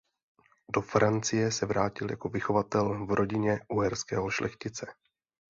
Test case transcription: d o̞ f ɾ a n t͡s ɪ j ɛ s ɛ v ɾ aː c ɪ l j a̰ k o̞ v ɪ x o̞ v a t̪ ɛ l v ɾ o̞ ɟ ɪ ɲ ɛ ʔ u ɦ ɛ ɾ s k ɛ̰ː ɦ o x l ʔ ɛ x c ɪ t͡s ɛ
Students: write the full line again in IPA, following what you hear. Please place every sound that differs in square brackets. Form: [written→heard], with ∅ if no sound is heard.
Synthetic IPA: d o̞ f ɾ a n t͡s ɪ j ɛ s ɛ v ɾ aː c ɪ l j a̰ k o̞ v ɪ x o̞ v a t̪ ɛ l v ɾ o̞ ɟ ɪ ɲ ɛ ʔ u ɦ ɛ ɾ s k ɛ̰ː ɦ o [x→ʃ] l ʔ ɛ x c ɪ t͡s ɛ